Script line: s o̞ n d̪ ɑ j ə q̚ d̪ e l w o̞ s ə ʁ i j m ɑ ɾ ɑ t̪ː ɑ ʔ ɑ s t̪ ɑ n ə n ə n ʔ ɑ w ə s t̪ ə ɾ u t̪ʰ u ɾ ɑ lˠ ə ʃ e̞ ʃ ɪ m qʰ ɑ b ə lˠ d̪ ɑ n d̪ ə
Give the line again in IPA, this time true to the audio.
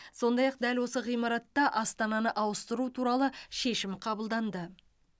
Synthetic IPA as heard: s o̞ n d̪ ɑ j ɑ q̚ d̪ æ l w o̞ s ə ʁ i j m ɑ ɾ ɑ t̪ː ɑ ʔ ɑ s t̪ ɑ n ɑ n ə ʔ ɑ w ə s t̪ ə ɾ u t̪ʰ u ɾ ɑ lˠ ə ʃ e̞ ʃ ɪ m qʰ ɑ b ə lˠ d̪ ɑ n d̪ ə

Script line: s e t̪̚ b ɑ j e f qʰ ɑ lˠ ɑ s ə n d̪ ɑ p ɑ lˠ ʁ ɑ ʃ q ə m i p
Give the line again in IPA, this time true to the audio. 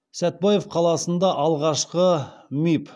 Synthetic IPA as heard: s æ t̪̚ b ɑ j e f qʰ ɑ lˠ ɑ s ə n d̪ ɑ ʔ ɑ lˠ ʁ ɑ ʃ q ə m i p

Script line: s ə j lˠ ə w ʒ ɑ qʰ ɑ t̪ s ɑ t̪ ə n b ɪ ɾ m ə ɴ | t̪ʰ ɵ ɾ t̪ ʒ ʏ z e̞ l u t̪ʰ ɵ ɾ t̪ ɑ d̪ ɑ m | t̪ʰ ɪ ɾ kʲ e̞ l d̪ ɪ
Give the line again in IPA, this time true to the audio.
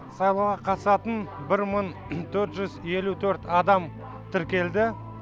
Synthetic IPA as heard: s ɑ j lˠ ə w ʁ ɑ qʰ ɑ t̪ s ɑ t̪ ə n b ɪ ɾ m ə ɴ | t̪ʰ ɵ ɾ t̪ ʒ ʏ z e̞ l u t̪ʰ ɵ ɾ t̪ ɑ d̪ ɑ m | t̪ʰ ɪ ɾ kʲ e̞ l d̪ ɪ

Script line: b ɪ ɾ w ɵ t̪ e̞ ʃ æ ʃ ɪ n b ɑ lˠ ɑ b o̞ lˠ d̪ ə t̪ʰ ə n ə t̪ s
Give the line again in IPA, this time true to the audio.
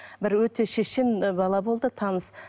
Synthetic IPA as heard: b ɪ ɾ w ɵ t̪ e̞ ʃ e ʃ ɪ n b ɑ lˠ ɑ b o̞ lˠ d̪ ə t̪ʰ ɑ n ə s

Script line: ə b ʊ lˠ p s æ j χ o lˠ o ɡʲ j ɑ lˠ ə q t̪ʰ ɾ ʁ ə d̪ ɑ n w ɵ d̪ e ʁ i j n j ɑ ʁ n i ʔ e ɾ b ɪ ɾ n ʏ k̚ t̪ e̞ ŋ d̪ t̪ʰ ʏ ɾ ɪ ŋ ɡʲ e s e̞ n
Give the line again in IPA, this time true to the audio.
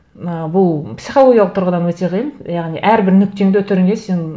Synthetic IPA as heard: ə b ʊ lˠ p s i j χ o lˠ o ɡʲ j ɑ lˠ ə q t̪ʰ ɾ ʁ ə d̪ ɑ n w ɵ t̪ e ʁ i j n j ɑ ʁ n i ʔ æ ɾ b ɪ ɾ n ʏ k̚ t̪ e̞ ŋ d̪ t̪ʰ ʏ ɾ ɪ ŋ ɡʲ e s e̞ n

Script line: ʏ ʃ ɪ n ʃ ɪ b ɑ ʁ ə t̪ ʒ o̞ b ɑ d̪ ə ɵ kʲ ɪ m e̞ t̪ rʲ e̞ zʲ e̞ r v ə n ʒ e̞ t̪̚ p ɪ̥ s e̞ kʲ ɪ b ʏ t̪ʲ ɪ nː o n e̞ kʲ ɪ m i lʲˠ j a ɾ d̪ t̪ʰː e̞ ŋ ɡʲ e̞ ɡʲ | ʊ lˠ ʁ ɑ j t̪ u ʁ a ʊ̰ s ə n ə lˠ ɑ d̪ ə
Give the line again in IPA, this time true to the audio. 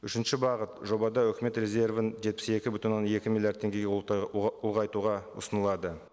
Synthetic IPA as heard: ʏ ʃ ɪ n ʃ ɪ b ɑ ʁ ə t̪ ʒ o̞ b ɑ d̪ ɑ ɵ kʲ ɪ m e̞ t̪ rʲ e̞ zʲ e̞ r v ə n ʒ e̞ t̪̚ p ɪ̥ s e̞ kʲ ɪ b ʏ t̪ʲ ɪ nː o n e̞ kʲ ɪ m i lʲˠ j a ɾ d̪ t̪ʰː e̞ ŋ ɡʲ e̞ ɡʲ | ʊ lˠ ʁ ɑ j t̪ u ʁ ɑ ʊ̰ s ə n ə lˠ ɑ d̪ ə

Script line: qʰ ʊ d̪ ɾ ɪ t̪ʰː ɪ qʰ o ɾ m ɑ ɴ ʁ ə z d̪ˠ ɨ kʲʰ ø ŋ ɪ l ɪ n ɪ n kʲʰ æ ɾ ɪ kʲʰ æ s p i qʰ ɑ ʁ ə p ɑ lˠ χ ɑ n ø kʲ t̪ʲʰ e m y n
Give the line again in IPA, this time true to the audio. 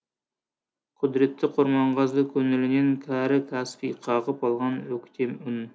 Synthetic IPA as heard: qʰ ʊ d̪ ɾ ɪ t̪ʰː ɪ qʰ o ɾ m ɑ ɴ ʁ ɑ z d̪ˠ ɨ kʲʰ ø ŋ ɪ l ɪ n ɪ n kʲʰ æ ɾ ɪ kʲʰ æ s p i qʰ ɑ ʁ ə p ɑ lˠ ʁ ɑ n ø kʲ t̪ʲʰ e m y n

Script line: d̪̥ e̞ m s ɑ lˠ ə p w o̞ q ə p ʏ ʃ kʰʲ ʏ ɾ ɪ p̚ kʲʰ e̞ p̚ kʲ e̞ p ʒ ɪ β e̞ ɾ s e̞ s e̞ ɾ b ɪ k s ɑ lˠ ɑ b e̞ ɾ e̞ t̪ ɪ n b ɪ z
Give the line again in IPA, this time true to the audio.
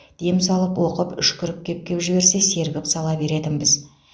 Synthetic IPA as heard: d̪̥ e̞ m s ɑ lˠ ə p w o̞ q ə p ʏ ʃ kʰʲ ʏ ɾ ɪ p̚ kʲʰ e̞ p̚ kʲ e̞ p ʒ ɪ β e̞ ɾ s e̞ s e̞ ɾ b ɪ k s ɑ lˠ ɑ b e̞ ɾ e̞ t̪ ɪ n b ɪ z

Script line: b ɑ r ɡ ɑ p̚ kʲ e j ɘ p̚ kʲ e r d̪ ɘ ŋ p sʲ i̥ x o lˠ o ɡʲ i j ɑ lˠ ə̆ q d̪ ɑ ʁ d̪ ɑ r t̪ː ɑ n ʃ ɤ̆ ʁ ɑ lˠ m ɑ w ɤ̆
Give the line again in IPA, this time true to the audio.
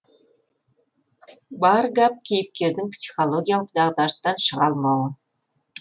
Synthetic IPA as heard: b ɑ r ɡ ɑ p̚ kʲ e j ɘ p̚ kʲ e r d̪ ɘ ŋ p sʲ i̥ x o lˠ o ɡʲ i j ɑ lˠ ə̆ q d̪ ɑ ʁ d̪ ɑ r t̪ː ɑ n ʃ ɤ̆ ʁ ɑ lˠ m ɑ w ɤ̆

